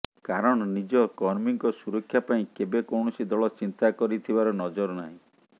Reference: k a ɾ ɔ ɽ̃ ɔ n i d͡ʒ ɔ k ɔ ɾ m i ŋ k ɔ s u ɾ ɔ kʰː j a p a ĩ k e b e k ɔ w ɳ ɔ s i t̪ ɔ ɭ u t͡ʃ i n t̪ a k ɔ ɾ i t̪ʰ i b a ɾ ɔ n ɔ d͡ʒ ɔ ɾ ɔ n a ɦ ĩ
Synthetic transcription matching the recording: k a ɾ ɔ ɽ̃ ɔ n i d͡ʒ ɔ k ɔ ɾ m i ŋ k ɔ s u ɾ ɔ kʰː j a p a ĩ k e b e k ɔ w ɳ ɔ s i d̪ ɔ ɭ ɔ t͡ʃ i n t̪ a k ɔ ɾ i t̪ʰ i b a ɾ ɔ n ɔ d͡ʒ ɔ ɾ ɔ n a ɦ ĩ